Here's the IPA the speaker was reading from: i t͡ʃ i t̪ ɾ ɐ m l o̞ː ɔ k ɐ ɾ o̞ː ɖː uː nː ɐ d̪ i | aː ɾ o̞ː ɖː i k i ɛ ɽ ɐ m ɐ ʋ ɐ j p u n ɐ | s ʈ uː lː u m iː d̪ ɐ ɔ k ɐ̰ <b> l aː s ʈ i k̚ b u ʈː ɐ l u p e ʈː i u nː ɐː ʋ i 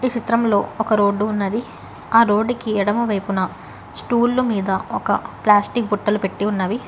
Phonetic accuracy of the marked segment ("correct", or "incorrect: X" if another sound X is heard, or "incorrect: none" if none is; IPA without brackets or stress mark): incorrect: p